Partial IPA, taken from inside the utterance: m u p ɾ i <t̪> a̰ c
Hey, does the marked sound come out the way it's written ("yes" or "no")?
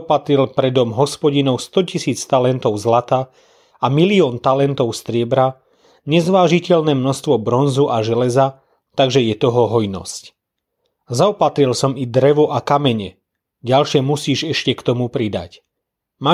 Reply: no